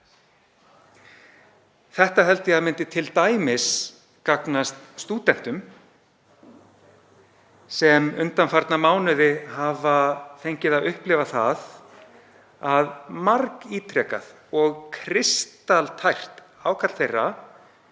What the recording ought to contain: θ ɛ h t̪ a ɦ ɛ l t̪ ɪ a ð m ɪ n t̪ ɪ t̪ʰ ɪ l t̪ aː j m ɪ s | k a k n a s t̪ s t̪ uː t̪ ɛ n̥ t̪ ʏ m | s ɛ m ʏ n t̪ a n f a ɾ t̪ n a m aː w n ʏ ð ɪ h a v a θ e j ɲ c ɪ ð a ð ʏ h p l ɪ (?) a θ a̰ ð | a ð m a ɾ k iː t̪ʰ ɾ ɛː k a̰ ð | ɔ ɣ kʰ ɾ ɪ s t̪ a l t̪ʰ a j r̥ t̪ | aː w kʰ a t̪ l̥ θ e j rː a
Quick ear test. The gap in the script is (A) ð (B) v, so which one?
B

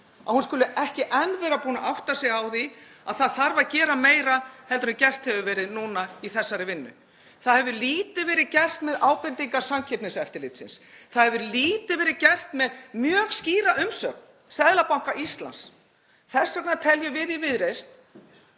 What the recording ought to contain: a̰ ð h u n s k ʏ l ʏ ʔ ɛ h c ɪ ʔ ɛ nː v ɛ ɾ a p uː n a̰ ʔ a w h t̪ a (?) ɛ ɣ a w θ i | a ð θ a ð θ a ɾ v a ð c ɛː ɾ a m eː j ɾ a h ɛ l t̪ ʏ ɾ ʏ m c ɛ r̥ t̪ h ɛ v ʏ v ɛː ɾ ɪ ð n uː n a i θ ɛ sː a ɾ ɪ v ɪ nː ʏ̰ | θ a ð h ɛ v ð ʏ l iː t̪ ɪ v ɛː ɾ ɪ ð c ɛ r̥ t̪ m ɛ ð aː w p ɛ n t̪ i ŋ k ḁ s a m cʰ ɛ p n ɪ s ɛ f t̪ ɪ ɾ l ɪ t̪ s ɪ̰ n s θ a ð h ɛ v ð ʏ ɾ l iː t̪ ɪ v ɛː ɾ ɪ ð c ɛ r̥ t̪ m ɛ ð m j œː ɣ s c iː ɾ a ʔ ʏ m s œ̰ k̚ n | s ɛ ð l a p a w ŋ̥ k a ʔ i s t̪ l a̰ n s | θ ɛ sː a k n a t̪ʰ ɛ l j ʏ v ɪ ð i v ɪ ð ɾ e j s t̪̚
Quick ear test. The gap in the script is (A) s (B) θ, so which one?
A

